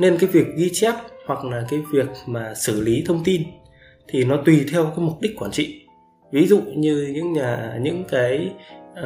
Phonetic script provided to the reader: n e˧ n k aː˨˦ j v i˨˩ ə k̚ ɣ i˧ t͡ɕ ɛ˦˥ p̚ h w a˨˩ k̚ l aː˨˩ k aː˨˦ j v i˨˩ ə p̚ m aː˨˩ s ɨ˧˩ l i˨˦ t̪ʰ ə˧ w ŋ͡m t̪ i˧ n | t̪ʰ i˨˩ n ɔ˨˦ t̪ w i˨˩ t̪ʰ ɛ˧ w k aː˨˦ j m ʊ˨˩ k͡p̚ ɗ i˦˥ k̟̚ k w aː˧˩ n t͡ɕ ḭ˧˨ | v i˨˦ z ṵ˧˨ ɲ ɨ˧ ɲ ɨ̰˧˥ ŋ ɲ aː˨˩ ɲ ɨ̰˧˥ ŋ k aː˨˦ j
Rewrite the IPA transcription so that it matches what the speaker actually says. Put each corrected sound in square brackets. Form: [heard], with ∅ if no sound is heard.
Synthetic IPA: n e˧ n k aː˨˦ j v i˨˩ ə k̚ ɣ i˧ t͡ɕ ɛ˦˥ p̚ h w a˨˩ k̚ l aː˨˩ k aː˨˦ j v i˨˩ ə [k̚] m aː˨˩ s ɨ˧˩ l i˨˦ t̪ʰ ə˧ w ŋ͡m t̪ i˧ n | t̪ʰ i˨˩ n ɔ˨˦ t̪ w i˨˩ t̪ʰ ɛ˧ w k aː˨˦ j m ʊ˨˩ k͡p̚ ɗ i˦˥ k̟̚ k w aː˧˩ n t͡ɕ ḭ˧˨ | v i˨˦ z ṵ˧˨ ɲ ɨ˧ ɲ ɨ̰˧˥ ŋ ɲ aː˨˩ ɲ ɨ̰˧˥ ŋ k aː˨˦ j